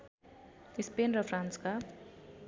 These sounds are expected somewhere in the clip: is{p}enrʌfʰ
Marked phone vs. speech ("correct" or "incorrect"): correct